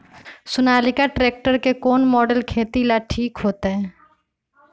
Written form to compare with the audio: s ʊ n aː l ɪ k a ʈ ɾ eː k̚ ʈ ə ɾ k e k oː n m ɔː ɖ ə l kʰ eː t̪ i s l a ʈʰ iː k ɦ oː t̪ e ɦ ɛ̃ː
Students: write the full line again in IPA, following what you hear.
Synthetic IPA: s ʊ n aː l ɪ k a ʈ ɾ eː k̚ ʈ ə ɾ k e k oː n m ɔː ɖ ə l kʰ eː t̪ i l a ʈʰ iː k ɦ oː t̪ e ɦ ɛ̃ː